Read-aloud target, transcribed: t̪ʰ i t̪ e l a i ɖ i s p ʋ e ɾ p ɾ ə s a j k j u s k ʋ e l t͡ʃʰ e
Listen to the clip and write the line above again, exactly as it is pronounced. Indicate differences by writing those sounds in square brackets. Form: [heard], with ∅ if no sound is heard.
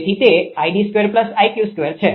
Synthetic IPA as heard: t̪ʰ i t̪ e [∅] a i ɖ i s [k] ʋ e ɾ p [l] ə s a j k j u s k ʋ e [ɾ] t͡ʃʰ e